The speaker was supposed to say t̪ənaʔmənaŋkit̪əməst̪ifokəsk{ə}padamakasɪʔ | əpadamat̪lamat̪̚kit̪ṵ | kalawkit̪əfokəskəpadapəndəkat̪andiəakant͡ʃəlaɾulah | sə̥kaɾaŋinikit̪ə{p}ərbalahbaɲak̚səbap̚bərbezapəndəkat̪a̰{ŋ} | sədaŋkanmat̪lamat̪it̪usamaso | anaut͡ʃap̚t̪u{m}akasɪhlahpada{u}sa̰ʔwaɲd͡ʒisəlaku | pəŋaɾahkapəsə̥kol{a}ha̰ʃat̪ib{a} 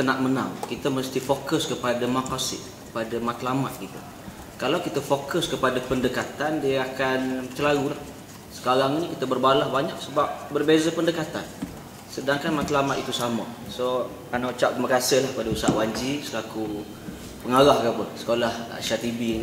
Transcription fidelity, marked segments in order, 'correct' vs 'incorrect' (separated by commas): correct, incorrect, incorrect, correct, correct, correct, incorrect